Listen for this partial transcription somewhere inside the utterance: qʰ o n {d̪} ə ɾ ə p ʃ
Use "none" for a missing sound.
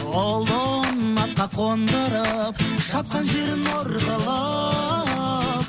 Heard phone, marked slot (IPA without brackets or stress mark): d̪